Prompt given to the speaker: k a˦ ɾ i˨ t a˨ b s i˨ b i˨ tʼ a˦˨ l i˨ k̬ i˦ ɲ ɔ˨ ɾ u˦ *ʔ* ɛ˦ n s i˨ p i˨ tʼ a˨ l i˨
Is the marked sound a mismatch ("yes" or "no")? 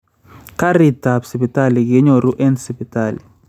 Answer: no